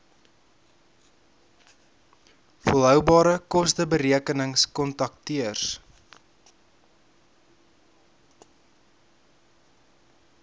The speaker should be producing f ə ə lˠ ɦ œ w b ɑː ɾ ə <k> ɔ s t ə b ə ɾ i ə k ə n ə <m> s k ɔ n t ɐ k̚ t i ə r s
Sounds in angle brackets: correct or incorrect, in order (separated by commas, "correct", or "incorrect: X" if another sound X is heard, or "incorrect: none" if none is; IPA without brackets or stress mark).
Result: correct, incorrect: ŋ